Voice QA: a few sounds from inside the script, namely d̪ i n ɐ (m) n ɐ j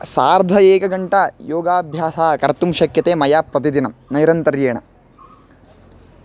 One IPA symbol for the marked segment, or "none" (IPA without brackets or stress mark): m